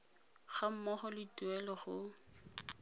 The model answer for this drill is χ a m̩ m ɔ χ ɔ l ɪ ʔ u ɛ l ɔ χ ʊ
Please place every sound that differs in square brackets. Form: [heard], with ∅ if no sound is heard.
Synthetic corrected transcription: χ a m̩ m ɔ χ ɔ l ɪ [t] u ɛ l ɔ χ ʊ